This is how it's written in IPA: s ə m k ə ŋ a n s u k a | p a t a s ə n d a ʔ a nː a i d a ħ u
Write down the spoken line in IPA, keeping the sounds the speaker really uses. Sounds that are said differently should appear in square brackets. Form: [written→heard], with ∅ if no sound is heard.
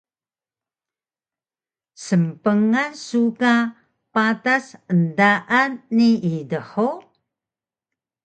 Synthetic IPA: s ə m [k→p] ə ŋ a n s u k a | p a t a s ə n d a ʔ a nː [a→i] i d [a→ə] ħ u